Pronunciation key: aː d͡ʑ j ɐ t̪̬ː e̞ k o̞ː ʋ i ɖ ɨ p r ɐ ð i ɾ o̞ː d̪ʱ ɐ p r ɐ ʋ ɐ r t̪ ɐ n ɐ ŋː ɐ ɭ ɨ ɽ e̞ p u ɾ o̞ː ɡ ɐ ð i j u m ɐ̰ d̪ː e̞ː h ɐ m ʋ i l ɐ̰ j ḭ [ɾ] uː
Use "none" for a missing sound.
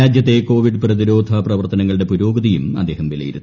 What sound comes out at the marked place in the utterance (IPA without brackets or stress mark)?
ɾ